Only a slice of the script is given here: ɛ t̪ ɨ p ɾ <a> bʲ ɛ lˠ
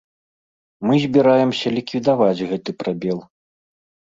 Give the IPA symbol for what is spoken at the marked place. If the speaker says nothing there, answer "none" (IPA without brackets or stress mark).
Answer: a